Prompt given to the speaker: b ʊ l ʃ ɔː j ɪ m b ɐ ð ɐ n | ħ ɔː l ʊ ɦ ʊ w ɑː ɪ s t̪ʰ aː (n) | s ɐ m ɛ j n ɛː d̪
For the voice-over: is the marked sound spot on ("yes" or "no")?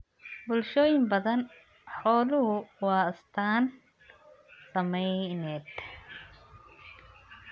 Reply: yes